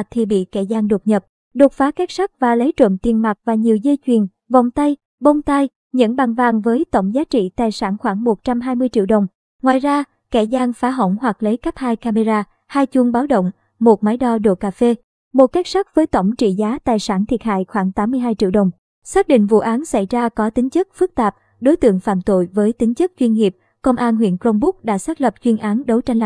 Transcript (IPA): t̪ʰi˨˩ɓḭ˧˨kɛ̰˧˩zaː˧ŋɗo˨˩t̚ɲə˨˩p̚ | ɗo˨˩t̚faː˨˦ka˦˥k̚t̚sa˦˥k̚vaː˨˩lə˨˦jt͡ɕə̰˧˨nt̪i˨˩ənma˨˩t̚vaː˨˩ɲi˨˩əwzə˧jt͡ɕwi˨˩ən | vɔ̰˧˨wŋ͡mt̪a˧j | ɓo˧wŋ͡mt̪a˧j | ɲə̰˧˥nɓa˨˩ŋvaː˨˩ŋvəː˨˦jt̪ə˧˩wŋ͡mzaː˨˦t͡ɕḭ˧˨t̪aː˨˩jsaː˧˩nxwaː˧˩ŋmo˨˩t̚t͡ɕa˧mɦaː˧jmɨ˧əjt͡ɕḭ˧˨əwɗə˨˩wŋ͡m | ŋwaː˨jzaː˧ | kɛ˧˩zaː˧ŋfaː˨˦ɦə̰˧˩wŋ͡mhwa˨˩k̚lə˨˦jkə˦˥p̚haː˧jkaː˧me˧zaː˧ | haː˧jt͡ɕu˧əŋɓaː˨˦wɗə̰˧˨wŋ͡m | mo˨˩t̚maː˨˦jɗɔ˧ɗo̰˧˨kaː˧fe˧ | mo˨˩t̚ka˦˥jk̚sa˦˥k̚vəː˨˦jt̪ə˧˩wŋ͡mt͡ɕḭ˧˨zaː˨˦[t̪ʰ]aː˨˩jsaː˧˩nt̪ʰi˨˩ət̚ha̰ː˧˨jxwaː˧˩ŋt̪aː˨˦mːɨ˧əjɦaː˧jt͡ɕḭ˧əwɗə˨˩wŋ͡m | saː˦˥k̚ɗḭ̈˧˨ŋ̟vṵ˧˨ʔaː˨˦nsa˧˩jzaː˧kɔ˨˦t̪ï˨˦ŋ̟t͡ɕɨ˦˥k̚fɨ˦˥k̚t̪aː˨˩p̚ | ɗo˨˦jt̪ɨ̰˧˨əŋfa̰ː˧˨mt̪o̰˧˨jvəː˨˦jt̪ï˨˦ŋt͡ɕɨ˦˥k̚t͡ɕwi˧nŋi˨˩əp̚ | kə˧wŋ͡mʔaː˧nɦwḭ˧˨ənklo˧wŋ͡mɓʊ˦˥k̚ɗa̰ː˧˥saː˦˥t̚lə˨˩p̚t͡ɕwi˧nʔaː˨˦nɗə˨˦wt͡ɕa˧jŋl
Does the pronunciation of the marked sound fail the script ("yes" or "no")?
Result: yes